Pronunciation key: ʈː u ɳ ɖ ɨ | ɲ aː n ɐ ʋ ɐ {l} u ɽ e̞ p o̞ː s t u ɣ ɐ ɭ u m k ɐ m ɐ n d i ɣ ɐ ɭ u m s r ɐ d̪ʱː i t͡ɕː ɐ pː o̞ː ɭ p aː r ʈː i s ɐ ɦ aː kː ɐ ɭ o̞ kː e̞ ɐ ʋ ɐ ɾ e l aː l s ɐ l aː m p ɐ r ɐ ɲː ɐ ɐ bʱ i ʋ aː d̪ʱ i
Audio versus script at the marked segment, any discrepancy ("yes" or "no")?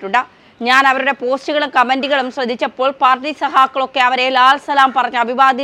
yes